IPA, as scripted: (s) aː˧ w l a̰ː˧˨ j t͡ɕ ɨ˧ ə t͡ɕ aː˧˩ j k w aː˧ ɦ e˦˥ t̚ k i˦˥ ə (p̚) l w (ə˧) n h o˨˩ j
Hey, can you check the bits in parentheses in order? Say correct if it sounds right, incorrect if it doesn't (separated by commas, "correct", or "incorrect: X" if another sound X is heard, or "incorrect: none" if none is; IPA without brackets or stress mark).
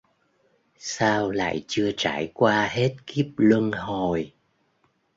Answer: correct, correct, correct